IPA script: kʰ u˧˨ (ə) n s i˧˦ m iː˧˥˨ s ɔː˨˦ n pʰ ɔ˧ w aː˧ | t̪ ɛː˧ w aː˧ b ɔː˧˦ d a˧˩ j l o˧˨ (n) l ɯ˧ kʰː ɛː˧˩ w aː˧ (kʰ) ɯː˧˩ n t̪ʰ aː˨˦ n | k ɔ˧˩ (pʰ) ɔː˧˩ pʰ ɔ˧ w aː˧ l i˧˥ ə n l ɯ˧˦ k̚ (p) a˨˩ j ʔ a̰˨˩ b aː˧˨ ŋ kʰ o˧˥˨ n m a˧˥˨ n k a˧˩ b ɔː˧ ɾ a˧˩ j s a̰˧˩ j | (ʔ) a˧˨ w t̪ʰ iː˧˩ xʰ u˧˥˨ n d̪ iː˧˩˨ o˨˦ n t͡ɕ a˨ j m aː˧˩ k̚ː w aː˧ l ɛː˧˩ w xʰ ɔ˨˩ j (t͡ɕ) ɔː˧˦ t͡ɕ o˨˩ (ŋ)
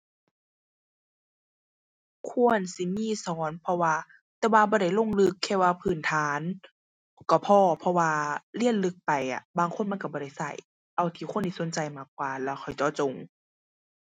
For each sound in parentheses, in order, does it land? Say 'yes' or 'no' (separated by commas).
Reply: yes, no, no, yes, yes, yes, yes, yes